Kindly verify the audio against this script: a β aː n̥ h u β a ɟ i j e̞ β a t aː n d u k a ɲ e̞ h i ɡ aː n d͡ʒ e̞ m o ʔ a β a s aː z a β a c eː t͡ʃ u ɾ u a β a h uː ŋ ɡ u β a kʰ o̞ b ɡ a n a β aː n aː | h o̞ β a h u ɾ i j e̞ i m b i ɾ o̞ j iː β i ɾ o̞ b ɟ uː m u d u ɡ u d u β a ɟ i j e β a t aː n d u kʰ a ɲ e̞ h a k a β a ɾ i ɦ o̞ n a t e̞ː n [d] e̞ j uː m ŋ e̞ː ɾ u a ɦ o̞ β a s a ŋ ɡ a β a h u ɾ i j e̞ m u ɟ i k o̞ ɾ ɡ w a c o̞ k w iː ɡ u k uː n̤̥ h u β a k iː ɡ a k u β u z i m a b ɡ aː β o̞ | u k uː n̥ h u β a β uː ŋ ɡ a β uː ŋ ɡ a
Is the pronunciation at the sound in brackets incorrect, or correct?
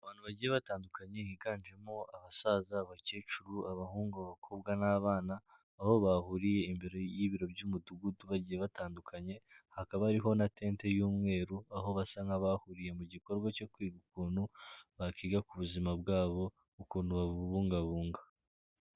incorrect